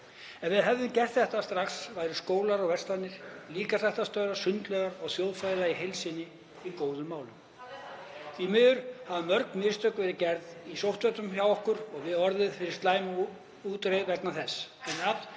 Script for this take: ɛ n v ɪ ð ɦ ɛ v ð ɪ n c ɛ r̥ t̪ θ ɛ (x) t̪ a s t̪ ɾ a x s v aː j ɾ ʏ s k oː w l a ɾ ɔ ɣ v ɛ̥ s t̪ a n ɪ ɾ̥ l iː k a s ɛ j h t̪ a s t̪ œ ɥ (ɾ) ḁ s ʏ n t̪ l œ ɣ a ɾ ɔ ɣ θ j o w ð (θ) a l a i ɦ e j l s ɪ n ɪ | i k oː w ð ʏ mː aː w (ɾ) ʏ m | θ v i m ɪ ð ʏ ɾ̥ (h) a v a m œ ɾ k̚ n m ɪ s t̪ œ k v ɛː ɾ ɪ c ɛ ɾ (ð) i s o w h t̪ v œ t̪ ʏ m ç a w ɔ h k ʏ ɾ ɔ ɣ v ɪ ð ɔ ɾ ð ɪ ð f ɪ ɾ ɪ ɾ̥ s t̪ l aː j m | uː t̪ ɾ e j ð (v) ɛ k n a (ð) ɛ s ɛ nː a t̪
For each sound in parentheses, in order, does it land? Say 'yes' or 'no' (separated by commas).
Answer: no, yes, no, no, yes, yes, yes, no